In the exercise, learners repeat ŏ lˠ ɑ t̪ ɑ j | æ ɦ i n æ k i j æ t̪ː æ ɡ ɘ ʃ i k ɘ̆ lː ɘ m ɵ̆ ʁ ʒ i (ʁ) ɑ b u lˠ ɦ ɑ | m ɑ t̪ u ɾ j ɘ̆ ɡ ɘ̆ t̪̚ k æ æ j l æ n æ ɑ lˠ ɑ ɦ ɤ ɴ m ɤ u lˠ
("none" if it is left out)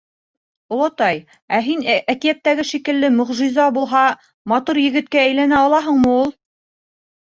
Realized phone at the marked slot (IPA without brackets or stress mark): z